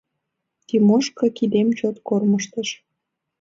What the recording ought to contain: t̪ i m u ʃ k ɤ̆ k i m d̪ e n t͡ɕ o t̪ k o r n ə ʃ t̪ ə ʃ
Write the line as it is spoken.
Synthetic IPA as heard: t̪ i m o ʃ k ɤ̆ k i d̪ e m t͡ɕ o t̪ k o r m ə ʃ t̪ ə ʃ